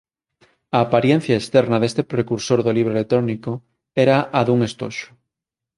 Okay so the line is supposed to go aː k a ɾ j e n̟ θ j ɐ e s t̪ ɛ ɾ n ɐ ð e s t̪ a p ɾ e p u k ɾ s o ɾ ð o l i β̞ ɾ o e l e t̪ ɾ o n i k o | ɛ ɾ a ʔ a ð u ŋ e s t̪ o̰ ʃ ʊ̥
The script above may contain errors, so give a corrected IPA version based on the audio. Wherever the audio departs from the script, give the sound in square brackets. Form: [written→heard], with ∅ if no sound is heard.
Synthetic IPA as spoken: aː [k→p] a ɾ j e n̟ θ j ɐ e s t̪ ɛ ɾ n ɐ ð e s t̪ [a→e] p ɾ e [p→k] u [k→∅] ɾ s o ɾ ð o l i β̞ ɾ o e l e t̪ ɾ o n i k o | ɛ ɾ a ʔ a ð u ŋ e s t̪ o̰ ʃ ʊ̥